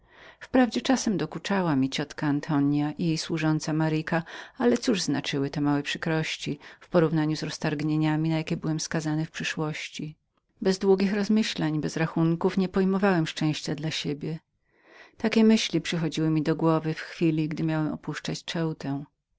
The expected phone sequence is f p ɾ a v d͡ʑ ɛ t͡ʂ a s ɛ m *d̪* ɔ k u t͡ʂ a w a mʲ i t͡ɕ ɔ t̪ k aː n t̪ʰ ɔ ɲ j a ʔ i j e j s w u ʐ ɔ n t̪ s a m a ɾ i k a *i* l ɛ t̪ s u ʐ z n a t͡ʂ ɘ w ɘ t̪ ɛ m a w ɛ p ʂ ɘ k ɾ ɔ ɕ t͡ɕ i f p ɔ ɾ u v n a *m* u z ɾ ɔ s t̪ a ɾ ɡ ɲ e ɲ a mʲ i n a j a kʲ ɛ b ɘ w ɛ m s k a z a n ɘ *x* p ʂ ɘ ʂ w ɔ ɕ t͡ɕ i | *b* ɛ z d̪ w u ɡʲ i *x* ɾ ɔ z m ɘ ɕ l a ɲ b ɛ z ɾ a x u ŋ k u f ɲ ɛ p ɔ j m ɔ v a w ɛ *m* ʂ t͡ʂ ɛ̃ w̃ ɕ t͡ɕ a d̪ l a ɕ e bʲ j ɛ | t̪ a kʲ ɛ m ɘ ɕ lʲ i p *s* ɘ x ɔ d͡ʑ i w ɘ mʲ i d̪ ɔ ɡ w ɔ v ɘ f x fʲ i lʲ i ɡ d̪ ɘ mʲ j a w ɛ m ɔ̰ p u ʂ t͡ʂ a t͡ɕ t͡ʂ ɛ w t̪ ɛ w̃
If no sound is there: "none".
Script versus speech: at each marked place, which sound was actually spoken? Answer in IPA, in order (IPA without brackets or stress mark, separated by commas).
d̪, a, ɲ, f, b, x, m, ʂ